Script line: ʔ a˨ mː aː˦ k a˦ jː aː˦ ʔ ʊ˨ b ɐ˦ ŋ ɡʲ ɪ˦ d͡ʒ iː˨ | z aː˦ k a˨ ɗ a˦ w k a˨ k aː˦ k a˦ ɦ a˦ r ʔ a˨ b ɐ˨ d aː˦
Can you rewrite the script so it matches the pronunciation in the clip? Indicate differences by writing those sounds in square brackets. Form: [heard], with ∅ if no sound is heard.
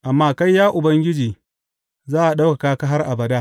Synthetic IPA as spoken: ʔ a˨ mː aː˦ k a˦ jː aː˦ ʔ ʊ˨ b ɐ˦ ŋ ɡʲ ɪ˦ d͡ʒ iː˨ | z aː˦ [ʔ] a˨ ɗ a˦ w k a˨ k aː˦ k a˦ ɦ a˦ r ʔ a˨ b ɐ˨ d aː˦